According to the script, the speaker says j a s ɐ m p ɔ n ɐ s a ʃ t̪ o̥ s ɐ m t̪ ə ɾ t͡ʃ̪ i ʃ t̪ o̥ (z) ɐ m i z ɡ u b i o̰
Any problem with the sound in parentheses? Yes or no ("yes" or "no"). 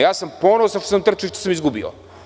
yes